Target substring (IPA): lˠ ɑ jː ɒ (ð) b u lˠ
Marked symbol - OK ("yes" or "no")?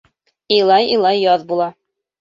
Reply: yes